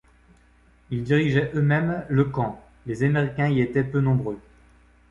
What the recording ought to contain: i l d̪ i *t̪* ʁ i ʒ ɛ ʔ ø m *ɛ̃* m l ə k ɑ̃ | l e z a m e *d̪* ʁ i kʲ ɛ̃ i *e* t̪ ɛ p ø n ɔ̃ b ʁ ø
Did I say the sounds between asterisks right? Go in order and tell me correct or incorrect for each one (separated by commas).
incorrect, incorrect, incorrect, correct